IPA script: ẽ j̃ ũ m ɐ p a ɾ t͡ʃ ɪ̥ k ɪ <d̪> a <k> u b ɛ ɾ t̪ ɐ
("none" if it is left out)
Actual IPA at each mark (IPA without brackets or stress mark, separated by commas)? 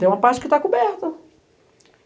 t̪, k